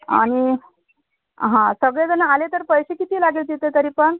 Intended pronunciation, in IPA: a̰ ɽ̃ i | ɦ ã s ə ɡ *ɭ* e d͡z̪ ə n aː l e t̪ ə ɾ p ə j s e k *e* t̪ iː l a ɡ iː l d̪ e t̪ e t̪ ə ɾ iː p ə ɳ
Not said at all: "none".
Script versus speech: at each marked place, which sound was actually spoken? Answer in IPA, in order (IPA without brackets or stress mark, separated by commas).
ɭ, i